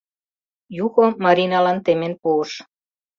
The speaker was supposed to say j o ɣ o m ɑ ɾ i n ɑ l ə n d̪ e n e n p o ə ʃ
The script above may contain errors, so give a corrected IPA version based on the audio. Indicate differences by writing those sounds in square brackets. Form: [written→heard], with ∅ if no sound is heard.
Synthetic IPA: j [o→u] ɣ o m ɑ ɾ i n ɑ l [ə→ɑ] n [d̪→t̪] e [n→m] e n p [o→u] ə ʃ